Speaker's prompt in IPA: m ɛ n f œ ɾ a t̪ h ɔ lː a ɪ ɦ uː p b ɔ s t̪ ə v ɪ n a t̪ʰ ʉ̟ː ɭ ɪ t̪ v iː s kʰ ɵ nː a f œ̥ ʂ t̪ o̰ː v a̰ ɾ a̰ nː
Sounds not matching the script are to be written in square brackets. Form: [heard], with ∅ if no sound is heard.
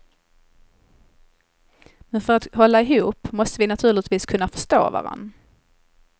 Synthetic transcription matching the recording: m ɛ n f œ ɾ a t̪ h ɔ lː a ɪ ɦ uː p [m] ɔ s t̪ ə v ɪ n a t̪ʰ ʉ̟ː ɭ ɪ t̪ v iː s kʰ ɵ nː a f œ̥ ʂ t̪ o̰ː v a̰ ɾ a̰ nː